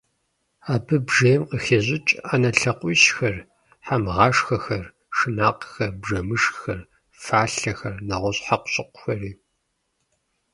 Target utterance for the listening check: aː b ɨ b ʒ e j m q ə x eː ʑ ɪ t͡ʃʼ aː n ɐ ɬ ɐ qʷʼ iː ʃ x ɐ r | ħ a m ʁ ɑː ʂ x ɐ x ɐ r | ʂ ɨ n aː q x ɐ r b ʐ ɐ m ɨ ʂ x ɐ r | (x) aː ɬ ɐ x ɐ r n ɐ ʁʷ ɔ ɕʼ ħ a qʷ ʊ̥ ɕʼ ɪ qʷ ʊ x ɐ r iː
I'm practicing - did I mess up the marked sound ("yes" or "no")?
yes